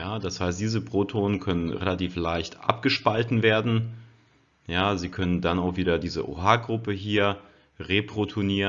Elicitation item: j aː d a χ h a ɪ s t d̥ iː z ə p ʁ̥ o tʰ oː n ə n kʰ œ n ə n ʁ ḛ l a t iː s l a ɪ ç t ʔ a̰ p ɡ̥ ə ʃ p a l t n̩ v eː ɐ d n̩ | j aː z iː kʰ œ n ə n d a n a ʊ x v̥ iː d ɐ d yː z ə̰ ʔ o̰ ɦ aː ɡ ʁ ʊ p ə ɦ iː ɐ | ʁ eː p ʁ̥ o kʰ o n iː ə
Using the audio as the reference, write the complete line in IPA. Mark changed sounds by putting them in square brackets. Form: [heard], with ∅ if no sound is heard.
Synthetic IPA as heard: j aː d a [s] h a ɪ s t d̥ iː z ə p ʁ̥ o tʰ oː n ə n kʰ œ n ə n ʁ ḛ l a t iː [f] l a ɪ ç t ʔ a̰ p ɡ̥ ə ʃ p a l t n̩ v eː ɐ d n̩ | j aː z iː kʰ œ n ə n d a n a ʊ x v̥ iː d ɐ d [iː] z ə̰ ʔ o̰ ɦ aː ɡ ʁ ʊ p ə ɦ iː ɐ | ʁ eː p ʁ̥ o [tʰ] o n iː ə

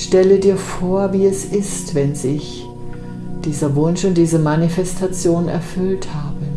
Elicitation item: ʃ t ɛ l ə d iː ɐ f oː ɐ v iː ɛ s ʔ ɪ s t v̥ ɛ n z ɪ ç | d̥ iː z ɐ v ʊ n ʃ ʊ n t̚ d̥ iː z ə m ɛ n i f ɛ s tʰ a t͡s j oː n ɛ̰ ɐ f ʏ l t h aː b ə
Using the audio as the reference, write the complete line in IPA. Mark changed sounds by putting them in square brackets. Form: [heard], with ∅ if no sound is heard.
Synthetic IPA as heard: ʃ t ɛ l ə d iː ɐ f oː ɐ v iː ɛ s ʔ ɪ s t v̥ ɛ n z ɪ ç | d̥ iː z ɐ v ʊ n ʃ ʊ n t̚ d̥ iː z ə m [a] n i f ɛ s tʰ a t͡s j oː n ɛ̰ ɐ f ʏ l t h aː b ə

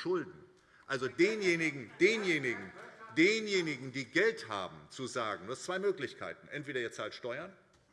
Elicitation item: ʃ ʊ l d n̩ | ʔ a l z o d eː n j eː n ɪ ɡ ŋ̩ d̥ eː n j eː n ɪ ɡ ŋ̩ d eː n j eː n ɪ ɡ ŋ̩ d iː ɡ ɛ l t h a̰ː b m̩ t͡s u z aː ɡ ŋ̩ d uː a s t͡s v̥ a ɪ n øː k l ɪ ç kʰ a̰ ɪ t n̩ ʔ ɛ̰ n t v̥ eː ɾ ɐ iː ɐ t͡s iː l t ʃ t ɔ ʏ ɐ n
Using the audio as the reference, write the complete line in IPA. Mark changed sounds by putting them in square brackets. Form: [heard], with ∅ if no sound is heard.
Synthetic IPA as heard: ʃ ʊ l d n̩ | ʔ a l z o d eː n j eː n ɪ ɡ ŋ̩ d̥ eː n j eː n ɪ ɡ ŋ̩ d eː n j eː n ɪ ɡ ŋ̩ d iː ɡ ɛ l t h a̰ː b m̩ t͡s u z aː ɡ ŋ̩ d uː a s t͡s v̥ a ɪ [m] øː k l ɪ ç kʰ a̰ ɪ t n̩ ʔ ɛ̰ n t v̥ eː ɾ ɐ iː ɐ t͡s [aː] l t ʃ t ɔ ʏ ɐ n

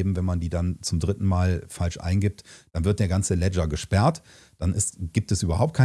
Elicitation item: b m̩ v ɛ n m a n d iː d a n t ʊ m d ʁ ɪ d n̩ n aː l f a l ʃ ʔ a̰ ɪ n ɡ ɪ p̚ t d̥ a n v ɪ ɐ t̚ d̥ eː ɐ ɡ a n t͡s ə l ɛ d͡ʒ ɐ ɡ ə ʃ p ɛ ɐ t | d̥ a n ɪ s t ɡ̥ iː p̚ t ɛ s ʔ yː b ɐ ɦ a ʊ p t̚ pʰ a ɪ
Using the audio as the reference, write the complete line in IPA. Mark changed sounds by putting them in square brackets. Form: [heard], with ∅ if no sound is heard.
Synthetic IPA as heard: b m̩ v ɛ n m a n d iː d a n [t͡s] ʊ m d ʁ ɪ [t] n̩ [m] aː l f a l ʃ ʔ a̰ ɪ n ɡ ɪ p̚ t d̥ a n v ɪ ɐ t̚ d̥ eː ɐ ɡ a n t͡s ə l ɛ d͡ʒ ɐ ɡ ə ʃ p ɛ ɐ t | d̥ a n ɪ s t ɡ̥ iː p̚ t ɛ s ʔ yː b ɐ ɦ a ʊ p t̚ [kʰ] a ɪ

